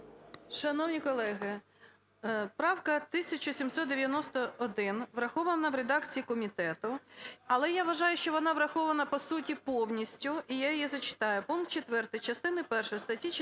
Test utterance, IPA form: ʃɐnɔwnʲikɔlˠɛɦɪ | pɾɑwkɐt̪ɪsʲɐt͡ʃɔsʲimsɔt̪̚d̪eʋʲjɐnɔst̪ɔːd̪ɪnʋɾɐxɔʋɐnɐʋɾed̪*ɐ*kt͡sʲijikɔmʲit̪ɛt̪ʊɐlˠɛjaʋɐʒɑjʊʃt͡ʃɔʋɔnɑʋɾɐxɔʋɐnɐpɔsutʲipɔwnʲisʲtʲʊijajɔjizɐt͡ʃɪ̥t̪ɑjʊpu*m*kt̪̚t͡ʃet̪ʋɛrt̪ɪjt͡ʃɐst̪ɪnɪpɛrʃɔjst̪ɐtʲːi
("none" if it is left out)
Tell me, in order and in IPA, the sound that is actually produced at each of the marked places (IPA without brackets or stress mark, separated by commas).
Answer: ɑ, n